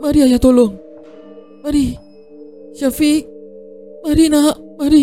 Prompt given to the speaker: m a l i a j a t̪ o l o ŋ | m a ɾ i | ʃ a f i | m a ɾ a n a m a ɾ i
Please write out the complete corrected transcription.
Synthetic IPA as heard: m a ɾ i a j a t̪ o l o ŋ | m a ɾ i | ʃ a f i | m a ɾ i n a m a ɾ i